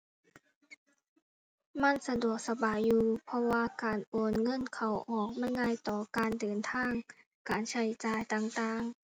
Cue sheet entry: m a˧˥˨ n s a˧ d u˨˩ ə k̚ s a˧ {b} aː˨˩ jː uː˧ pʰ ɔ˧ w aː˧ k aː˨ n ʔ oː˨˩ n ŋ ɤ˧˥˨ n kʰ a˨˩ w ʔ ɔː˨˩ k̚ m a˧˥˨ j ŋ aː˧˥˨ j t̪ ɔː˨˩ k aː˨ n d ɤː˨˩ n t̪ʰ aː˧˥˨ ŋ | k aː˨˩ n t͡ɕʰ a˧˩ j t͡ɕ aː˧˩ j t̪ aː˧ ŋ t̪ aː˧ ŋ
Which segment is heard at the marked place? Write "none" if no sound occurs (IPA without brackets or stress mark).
b